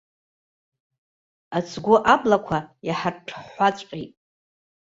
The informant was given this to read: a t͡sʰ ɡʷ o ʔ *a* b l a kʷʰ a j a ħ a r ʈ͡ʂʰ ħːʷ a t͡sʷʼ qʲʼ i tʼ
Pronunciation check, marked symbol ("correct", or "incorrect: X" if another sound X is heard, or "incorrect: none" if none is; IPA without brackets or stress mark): correct